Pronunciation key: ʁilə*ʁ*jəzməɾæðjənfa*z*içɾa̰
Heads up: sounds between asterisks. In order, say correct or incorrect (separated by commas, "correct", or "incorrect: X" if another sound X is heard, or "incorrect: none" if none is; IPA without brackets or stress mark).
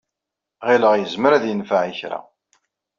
correct, incorrect: ʕ